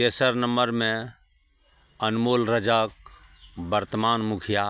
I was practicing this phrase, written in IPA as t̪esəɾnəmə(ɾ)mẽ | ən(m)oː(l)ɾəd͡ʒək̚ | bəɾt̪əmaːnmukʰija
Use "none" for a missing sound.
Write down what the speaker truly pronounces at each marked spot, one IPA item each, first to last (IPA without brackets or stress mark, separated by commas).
ɾ, m, l